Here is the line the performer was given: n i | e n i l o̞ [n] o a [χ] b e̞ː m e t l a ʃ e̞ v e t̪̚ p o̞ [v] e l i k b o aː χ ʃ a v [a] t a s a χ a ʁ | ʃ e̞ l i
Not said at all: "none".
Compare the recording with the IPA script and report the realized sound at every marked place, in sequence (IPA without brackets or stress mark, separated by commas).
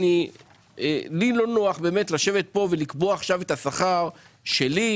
n, χ, v, e